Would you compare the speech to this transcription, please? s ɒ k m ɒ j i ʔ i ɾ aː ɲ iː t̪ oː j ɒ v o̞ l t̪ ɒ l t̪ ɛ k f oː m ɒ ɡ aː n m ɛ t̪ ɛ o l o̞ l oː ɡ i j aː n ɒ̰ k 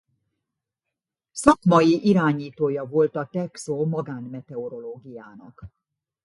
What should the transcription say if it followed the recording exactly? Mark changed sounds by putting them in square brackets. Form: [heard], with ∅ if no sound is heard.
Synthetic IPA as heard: s ɒ k m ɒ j i ʔ i ɾ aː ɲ iː t̪ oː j ɒ v o̞ l t̪ ɒ [∅] t̪ ɛ k [s] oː m ɒ ɡ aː n m ɛ t̪ ɛ o [ɾ] o̞ l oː ɡ i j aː n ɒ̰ k